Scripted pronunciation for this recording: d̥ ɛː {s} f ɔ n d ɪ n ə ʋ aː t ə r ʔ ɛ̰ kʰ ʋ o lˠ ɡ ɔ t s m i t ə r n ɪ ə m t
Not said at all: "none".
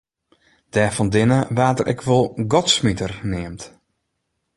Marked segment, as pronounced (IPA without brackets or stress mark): none